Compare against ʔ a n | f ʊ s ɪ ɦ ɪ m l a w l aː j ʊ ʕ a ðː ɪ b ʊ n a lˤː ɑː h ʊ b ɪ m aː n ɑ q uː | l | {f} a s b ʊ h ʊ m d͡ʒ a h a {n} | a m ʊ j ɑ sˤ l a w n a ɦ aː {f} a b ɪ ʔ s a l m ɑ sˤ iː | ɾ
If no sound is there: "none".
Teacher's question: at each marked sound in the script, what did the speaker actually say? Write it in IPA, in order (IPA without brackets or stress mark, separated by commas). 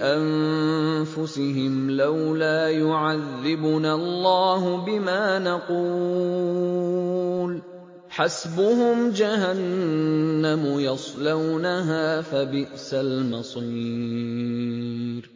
ħ, nː, f